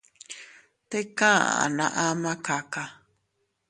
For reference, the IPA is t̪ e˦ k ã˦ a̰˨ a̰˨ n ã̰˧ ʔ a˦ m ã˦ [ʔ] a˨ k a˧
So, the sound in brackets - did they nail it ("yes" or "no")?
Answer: no